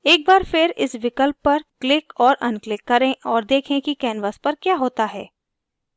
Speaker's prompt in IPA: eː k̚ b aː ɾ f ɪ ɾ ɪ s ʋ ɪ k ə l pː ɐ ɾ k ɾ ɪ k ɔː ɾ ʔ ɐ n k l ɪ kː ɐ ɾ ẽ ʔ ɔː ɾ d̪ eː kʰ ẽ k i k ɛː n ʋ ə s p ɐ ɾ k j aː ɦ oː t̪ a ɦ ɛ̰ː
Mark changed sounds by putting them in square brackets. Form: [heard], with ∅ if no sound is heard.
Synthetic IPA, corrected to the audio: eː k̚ b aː ɾ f ɪ ɾ ɪ s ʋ ɪ k ə l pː ɐ ɾ k [l] ɪ k ɔː ɾ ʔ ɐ n k l ɪ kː ɐ ɾ ẽ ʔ ɔː ɾ d̪ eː kʰ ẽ k i k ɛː n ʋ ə s p ɐ ɾ k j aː ɦ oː t̪ a ɦ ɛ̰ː